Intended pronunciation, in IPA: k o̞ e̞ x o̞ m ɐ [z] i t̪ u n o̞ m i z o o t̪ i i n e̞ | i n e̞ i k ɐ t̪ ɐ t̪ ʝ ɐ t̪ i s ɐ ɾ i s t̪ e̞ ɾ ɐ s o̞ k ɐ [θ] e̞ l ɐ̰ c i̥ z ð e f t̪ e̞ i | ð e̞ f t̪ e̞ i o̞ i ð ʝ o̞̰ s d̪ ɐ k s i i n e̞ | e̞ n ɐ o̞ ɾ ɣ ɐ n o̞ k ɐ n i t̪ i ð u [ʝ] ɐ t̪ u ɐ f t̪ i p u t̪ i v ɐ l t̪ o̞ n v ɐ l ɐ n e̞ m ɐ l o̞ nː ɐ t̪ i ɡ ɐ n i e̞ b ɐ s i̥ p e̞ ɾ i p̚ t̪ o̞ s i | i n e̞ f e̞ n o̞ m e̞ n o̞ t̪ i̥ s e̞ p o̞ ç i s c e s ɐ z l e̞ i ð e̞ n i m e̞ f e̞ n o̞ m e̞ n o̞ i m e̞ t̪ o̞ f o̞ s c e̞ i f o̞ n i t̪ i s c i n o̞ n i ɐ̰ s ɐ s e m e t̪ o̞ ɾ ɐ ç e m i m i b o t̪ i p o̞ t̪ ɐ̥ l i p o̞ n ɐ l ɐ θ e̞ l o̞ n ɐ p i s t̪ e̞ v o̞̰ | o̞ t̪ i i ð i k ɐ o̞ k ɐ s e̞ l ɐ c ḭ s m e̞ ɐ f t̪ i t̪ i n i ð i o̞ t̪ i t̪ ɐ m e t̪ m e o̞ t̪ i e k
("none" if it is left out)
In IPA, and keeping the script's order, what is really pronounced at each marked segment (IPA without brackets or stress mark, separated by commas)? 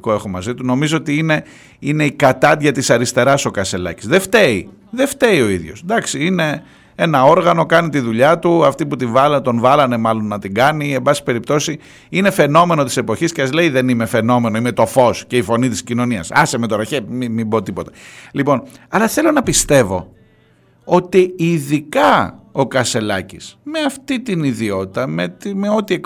z, s, ʎ